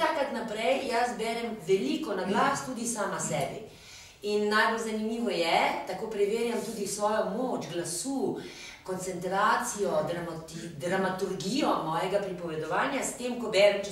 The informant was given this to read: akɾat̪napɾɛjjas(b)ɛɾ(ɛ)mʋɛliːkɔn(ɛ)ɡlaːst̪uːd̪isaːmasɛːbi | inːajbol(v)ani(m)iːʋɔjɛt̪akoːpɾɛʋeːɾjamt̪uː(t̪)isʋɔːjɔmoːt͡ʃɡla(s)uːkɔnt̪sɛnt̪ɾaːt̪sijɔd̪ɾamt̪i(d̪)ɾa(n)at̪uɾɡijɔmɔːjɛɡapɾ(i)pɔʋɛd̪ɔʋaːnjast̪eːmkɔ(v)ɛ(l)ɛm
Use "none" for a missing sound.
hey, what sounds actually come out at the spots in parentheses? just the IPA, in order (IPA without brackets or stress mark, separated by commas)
b, ɛ, a, z, m, d̪, s, d̪, m, i, b, ɾ